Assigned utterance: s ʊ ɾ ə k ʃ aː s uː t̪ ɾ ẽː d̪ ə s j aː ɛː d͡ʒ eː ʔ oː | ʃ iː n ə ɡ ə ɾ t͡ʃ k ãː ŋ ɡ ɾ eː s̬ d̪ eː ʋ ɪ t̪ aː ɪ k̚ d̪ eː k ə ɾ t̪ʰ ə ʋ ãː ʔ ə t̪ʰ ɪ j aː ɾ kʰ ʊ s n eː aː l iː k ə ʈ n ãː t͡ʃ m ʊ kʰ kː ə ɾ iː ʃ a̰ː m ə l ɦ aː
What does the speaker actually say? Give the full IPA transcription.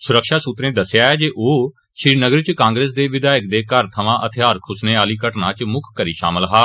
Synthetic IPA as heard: s ʊ ɾ ə k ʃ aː s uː t̪ ɾ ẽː d̪ ə s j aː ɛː d͡ʒ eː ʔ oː | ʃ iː n ə ɡ ə ɾ t͡ʃ k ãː ŋ ɡ ɾ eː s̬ d̪ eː ʋ ɪ d̪ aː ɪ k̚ d̪ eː k ə ɾ t̪ʰ ə ʋ ãː ʔ ə t̪ʰ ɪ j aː ɾ kʰ ʊ s n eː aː l iː k ə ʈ n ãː t͡ʃ m ʊ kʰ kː ə ɾ iː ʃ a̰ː m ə l ɦ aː